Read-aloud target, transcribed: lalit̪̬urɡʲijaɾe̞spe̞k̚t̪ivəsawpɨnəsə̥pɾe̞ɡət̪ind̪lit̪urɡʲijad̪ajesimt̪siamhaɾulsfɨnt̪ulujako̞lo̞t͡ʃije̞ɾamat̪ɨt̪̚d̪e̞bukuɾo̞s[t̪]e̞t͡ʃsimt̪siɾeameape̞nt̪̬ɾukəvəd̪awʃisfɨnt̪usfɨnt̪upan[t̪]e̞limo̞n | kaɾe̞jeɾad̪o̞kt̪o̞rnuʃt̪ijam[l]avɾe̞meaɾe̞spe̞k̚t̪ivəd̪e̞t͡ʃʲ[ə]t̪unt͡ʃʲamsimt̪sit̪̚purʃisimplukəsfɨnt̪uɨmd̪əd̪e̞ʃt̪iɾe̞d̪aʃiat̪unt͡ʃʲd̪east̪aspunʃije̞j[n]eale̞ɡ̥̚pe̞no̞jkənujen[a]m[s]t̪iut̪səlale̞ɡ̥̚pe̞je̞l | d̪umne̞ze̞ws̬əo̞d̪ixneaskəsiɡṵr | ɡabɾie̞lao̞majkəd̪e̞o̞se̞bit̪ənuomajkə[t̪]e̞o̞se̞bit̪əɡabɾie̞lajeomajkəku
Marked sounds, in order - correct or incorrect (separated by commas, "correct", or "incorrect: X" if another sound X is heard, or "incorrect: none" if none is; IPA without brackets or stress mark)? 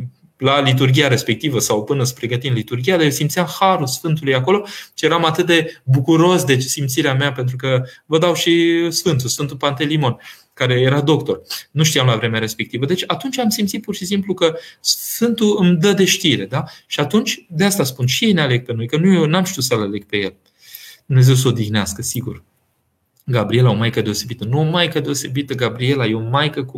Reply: incorrect: d̪, correct, correct, incorrect: a, correct, correct, incorrect: ʃ, incorrect: d̪